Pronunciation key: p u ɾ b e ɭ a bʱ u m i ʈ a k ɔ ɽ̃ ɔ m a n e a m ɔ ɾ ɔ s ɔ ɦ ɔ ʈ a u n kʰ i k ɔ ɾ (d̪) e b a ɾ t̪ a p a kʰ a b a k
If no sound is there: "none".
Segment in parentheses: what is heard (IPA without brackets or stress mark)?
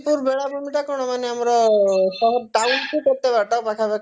t̪